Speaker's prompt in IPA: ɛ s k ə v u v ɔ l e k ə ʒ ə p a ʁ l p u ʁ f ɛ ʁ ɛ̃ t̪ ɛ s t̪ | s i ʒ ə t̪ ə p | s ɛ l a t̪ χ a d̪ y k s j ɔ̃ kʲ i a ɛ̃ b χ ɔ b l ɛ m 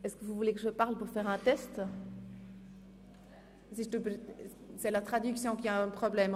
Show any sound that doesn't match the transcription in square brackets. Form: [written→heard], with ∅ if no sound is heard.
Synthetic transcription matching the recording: ɛ s k ə v u v [ɔ→u] l e k ə ʒ ə p a ʁ l p u ʁ f ɛ ʁ ɛ̃ t̪ ɛ s t̪ | s i ʒ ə t̪ ə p | s ɛ l a t̪ χ a d̪ y k s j ɔ̃ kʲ i a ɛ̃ [b→p] χ ɔ b l ɛ m